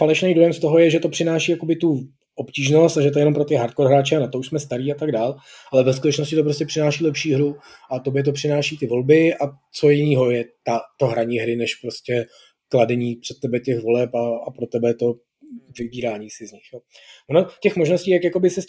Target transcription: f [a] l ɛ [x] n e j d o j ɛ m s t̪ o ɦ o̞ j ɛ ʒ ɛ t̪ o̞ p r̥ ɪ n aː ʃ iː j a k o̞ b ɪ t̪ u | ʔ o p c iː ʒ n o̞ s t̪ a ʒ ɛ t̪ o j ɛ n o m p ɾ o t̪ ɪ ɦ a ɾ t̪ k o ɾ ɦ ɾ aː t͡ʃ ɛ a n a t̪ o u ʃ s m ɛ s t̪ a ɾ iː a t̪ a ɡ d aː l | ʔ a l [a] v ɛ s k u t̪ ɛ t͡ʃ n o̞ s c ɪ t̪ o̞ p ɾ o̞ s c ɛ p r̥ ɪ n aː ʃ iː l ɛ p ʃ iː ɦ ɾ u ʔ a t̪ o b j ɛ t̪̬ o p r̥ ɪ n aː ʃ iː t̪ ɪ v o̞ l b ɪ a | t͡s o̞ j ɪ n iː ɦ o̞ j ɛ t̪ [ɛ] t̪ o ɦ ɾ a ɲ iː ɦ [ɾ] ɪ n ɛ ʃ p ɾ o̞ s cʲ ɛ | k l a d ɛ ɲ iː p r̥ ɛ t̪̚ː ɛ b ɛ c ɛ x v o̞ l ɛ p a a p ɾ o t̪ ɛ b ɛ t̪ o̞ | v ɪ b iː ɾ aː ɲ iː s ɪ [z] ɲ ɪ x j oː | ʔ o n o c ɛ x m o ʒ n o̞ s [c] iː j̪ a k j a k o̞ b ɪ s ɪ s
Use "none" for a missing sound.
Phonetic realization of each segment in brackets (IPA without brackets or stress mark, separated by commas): a, ʃ, ɛ, a, ɾ, z, c